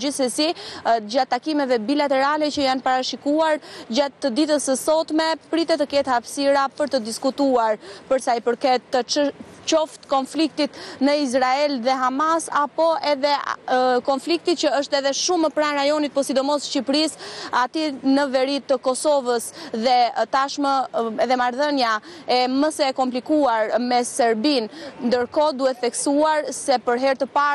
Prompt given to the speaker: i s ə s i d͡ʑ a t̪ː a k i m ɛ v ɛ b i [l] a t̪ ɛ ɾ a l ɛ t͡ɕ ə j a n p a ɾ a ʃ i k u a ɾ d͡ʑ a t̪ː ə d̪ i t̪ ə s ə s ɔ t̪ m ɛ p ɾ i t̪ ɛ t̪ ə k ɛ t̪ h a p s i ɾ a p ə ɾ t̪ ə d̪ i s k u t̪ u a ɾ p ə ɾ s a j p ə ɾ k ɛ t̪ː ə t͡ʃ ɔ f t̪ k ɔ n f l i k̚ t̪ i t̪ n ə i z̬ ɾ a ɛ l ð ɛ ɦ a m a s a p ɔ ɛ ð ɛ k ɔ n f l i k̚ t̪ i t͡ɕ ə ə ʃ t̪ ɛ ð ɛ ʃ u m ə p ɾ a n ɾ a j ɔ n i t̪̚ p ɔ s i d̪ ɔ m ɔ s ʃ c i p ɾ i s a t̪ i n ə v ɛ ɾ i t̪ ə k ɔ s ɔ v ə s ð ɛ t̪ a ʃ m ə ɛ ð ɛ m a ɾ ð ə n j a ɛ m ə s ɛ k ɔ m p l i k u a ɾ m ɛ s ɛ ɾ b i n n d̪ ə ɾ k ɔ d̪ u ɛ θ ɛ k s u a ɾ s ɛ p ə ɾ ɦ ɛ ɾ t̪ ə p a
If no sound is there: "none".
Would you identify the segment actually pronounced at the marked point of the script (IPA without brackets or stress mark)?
l